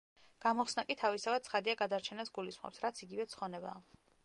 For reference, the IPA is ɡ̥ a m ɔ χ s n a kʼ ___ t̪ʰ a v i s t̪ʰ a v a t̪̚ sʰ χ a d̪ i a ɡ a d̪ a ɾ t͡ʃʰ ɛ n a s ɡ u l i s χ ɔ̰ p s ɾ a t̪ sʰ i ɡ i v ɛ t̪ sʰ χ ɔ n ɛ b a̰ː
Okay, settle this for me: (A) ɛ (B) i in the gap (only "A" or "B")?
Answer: B